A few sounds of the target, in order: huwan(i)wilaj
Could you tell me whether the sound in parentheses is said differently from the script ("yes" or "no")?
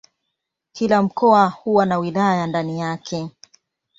yes